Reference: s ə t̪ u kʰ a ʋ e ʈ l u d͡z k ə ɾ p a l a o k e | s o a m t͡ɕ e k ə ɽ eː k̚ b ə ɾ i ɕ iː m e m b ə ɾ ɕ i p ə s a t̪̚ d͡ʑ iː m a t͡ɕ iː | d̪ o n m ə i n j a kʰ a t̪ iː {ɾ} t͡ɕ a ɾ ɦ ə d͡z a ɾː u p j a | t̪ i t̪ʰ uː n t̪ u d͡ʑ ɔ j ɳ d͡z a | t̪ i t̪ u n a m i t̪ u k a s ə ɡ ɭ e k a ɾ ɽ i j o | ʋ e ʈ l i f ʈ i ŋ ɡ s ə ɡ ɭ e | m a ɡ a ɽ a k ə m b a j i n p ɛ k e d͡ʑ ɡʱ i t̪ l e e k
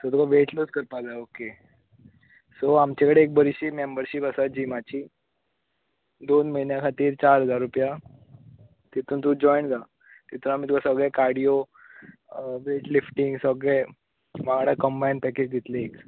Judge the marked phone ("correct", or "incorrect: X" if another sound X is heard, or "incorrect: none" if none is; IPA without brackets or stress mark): correct